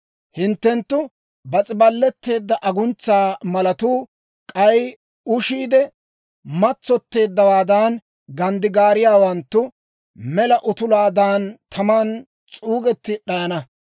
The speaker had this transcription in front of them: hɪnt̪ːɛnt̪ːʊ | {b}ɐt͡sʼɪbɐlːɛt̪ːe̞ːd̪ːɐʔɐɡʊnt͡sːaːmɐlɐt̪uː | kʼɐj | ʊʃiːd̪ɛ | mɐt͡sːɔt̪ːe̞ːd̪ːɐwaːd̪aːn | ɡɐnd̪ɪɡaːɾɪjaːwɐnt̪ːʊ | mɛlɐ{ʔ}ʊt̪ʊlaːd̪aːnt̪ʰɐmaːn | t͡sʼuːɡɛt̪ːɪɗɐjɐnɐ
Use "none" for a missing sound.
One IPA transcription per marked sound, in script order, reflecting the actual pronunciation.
b, ʔ

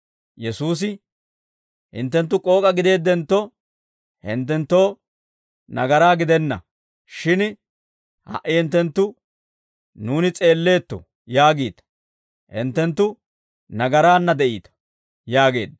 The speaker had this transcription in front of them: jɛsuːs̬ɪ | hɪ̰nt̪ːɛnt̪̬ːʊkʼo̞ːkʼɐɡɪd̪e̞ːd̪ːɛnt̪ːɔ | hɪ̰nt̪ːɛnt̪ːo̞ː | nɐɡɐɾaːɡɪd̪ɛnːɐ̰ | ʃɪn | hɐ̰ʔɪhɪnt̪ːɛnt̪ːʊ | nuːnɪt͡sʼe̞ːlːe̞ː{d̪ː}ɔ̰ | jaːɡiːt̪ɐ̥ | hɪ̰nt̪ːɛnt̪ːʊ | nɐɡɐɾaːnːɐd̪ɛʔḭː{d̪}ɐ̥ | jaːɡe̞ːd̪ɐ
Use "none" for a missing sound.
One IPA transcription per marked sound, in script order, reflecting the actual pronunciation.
t̪ː, t̪

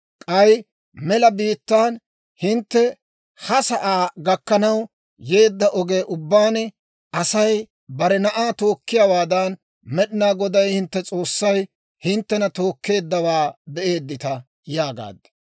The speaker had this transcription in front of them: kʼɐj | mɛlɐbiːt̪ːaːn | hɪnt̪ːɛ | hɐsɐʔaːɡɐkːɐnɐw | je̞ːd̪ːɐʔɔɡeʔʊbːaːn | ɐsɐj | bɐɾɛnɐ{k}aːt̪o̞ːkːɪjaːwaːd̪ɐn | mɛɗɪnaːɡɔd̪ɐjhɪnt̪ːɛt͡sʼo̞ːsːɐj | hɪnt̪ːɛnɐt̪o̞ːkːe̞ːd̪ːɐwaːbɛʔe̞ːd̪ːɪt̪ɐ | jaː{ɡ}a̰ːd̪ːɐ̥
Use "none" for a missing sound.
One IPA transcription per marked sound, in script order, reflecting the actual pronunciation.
ʔ, ɡ

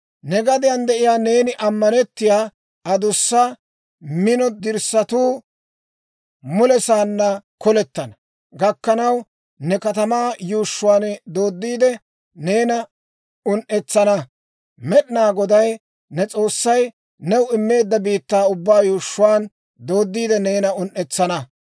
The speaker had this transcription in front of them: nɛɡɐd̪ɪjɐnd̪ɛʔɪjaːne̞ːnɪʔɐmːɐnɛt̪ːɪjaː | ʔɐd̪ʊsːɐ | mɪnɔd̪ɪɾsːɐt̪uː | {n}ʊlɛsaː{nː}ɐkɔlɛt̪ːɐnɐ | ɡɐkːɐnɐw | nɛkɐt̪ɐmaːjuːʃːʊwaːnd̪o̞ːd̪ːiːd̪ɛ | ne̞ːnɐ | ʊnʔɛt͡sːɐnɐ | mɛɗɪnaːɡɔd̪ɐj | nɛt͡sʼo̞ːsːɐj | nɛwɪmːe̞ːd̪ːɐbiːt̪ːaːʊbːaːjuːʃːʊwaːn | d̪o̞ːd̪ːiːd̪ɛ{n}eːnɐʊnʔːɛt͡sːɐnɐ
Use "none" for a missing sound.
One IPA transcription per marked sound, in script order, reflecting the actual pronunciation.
m, nː, n

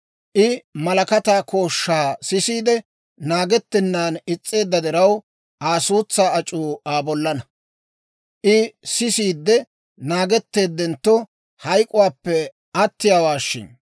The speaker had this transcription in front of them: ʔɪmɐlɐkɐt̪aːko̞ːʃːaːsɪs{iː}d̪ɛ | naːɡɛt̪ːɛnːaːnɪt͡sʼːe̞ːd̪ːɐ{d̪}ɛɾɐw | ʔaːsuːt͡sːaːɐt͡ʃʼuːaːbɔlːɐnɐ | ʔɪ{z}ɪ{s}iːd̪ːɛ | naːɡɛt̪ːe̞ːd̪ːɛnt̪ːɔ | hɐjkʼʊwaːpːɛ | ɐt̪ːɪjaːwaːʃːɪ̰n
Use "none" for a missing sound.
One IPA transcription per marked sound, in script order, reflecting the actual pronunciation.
iː, d̪, s, s

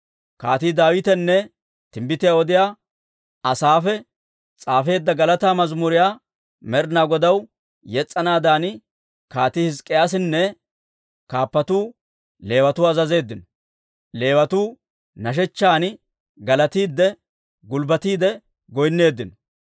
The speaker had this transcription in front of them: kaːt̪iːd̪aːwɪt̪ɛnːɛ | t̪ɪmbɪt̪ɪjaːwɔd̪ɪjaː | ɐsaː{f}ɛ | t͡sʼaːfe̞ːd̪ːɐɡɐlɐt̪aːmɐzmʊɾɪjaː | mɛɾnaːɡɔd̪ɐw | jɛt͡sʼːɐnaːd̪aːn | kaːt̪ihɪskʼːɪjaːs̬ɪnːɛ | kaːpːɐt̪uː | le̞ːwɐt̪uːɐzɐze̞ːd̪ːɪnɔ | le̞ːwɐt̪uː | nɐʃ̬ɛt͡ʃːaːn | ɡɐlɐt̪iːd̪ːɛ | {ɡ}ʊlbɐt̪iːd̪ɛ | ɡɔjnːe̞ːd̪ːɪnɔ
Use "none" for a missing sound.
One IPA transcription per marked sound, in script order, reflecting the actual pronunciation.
f, ɡ

